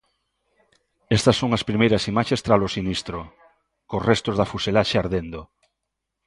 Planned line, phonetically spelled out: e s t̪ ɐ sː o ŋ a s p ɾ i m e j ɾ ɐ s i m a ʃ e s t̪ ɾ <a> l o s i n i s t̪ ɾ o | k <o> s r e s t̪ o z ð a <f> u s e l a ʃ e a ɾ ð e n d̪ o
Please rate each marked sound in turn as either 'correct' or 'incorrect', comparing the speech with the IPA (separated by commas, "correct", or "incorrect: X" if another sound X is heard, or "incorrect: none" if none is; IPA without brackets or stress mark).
correct, correct, correct